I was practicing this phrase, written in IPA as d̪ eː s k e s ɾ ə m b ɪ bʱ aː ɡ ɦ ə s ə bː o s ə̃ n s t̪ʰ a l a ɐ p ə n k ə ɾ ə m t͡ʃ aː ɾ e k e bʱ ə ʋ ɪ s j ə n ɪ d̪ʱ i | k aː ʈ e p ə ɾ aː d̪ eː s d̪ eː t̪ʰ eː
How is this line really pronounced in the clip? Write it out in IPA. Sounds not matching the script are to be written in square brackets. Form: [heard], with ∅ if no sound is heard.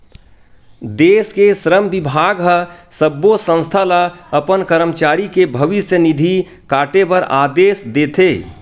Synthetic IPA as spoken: d̪ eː s k e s ɾ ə m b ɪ bʱ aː ɡ ɦ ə s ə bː o s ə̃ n s t̪ʰ a l a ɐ p ə n k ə ɾ ə m t͡ʃ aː ɾ [i] k e bʱ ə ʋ ɪ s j ə n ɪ d̪ʱ i | k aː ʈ e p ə ɾ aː d̪ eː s d̪ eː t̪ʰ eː

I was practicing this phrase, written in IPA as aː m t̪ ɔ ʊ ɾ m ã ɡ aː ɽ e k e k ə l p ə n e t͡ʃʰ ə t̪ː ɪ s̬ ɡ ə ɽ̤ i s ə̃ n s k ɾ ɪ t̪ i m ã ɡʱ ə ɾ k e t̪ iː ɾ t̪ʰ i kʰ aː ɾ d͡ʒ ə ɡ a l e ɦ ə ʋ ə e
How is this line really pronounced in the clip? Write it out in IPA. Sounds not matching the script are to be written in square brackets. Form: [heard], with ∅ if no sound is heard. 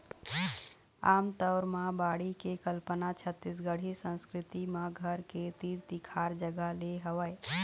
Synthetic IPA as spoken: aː m t̪ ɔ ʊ ɾ m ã [b] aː ɽ [i] k e k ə l p ə n [a] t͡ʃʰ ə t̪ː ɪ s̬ ɡ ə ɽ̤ i s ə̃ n s k ɾ ɪ t̪ i m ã ɡʱ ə ɾ k e t̪ iː ɾ [t̪] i kʰ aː ɾ d͡ʒ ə ɡ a l e ɦ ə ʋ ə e

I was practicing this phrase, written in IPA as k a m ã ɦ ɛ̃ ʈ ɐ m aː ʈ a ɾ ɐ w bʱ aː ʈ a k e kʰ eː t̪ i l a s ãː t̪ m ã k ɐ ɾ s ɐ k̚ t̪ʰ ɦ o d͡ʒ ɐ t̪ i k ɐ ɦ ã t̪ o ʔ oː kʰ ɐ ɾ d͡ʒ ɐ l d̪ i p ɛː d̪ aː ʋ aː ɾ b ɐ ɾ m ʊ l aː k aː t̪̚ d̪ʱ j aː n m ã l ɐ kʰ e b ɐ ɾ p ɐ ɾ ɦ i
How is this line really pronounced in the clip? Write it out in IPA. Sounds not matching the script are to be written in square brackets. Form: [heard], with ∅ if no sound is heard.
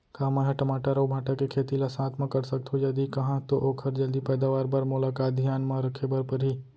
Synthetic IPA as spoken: k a m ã ɦ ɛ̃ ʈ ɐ m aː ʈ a ɾ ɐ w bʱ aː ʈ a k e kʰ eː t̪ i l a s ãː t̪ m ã k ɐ ɾ s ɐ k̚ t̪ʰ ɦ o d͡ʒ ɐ [d̪] i k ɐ ɦ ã t̪ o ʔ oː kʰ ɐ ɾ d͡ʒ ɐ l d̪ i p ɛː d̪ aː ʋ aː ɾ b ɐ ɾ m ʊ l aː k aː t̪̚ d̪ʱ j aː n m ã [ɾ] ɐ kʰ e b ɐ ɾ p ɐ ɾ ɦ i

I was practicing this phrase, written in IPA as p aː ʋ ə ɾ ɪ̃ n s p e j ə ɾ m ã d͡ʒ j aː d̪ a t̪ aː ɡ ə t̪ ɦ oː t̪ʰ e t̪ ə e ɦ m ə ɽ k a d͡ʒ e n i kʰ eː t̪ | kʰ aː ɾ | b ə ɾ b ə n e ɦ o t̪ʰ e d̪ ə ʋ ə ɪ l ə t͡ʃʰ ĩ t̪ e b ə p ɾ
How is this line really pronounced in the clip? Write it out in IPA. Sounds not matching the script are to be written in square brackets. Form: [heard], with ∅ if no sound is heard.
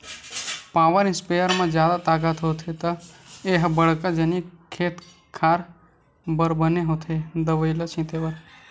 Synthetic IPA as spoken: p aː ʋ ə ɾ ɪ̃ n s p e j ə ɾ m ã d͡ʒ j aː d̪ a t̪ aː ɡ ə t̪ ɦ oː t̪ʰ e t̪ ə e ɦ [b] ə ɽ k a d͡ʒ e n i kʰ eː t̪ | kʰ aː ɾ | b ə ɾ b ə n e ɦ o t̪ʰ e d̪ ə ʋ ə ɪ l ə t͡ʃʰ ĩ t̪ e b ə [∅] ɾ

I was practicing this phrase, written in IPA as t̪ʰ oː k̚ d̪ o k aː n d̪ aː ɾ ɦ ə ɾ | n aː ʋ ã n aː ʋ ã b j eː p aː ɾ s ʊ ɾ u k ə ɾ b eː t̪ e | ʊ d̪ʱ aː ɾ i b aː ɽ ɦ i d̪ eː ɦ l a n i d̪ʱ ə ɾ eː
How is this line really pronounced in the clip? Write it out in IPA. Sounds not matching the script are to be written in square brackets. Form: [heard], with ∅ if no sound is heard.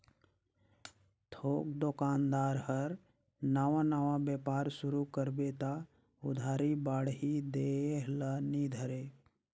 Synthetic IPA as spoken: t̪ʰ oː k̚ d̪ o k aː n d̪ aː ɾ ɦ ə ɾ | n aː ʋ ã n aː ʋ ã b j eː p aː ɾ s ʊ ɾ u k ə ɾ b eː t̪ [a] | ʊ d̪ʱ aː ɾ i b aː ɽ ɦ i d̪ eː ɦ l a n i d̪ʱ ə ɾ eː

